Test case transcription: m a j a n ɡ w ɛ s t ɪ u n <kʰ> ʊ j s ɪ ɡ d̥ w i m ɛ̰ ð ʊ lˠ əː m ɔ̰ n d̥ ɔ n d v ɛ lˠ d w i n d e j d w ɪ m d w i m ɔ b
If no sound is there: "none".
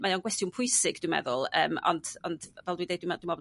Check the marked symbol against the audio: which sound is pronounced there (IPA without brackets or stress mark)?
pʰ